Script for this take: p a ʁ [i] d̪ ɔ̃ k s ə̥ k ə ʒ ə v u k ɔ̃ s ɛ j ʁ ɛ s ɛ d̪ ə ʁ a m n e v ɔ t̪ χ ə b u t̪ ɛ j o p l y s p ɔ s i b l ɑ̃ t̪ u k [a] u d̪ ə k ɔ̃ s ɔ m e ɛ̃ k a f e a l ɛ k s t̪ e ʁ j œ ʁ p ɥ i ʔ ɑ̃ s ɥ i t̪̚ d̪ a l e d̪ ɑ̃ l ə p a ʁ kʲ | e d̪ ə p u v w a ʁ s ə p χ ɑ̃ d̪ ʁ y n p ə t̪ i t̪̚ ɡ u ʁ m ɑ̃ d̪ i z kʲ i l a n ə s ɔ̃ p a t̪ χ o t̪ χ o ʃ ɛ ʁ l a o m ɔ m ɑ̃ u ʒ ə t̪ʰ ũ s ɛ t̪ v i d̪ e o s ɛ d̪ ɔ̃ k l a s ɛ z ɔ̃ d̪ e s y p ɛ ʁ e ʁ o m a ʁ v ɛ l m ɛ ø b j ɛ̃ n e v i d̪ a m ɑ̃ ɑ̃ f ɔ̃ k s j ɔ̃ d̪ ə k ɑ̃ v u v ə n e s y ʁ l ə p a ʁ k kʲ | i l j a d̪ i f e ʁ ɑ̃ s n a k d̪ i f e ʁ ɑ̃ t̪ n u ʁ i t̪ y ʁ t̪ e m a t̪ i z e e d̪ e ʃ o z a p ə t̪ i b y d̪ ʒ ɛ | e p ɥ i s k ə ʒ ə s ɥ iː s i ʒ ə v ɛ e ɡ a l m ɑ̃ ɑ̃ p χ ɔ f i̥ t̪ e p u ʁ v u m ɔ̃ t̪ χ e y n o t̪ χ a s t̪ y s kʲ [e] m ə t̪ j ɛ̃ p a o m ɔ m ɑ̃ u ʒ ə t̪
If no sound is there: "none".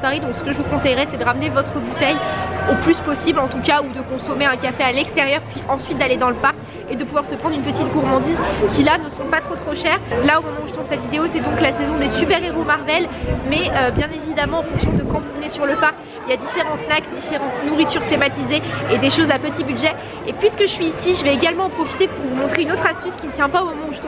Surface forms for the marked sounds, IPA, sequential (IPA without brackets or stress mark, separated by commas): i, a, i